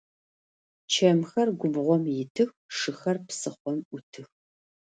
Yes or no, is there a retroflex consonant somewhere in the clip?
yes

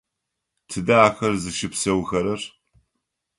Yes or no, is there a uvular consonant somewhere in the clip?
no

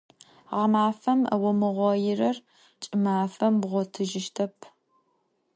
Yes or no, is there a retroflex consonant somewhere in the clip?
no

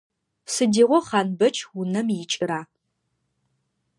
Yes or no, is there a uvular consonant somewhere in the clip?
yes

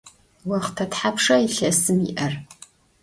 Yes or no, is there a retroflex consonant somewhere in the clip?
yes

